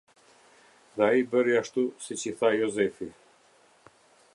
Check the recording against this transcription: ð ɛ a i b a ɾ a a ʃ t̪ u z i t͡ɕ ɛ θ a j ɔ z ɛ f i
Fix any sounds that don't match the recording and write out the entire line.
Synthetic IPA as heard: ð ɛ a i b ə ɾ i a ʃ t̪ u s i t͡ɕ i θ a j ɔ z ɛ f i